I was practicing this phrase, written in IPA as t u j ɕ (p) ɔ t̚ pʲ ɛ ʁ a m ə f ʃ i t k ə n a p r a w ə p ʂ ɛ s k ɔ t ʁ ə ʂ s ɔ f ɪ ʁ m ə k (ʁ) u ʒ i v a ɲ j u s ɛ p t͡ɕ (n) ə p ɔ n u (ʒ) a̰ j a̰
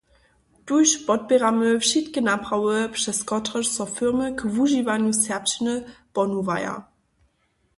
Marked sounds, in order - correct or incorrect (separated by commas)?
correct, incorrect, correct, incorrect